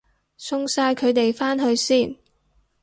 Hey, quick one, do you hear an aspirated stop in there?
yes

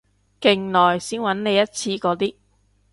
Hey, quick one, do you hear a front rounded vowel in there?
no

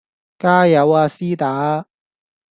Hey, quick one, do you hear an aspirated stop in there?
no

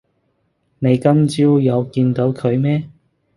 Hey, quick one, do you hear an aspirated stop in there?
yes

